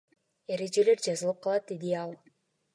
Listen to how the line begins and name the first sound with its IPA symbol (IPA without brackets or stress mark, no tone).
e̞